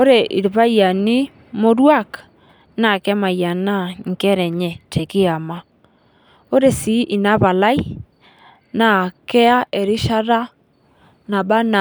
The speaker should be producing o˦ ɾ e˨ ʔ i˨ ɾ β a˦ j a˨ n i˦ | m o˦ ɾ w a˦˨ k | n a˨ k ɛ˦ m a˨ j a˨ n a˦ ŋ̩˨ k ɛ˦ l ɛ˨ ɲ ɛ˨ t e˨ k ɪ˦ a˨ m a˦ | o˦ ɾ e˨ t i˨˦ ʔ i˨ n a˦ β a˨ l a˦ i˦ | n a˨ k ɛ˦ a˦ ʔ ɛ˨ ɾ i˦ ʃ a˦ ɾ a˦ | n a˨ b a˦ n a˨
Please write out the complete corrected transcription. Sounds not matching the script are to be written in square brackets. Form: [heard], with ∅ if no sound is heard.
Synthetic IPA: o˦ ɾ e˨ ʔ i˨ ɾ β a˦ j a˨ n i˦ | m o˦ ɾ w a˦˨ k | n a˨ k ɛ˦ m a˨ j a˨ n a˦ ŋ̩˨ k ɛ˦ [ɾ] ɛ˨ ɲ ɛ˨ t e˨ k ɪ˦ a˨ m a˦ | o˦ ɾ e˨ [s] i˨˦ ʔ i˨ n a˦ β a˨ l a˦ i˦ | n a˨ k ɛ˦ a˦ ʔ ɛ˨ ɾ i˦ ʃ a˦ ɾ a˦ | n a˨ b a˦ n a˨